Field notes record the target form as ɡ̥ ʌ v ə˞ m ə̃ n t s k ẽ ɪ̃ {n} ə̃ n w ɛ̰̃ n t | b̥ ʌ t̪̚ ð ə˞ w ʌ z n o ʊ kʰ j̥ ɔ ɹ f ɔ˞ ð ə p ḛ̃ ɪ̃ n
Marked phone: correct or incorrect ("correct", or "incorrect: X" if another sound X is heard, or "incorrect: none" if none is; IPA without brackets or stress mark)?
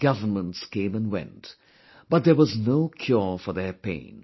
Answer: incorrect: m